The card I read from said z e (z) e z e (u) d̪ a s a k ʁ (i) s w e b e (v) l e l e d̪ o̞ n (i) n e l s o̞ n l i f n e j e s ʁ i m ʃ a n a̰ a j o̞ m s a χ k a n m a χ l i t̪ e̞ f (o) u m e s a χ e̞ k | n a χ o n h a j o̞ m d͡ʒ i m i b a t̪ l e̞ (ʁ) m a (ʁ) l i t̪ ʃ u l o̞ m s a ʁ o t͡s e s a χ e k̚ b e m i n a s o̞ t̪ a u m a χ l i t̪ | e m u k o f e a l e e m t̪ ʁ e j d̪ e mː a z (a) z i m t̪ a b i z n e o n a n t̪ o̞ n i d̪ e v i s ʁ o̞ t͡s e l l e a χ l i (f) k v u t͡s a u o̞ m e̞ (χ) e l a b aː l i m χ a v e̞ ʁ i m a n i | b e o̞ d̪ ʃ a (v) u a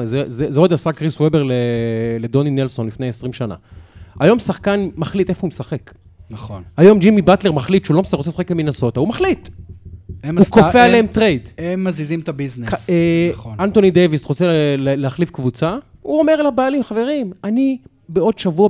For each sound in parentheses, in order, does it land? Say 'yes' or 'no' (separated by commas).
yes, no, yes, no, yes, yes, yes, no, no, yes, no, yes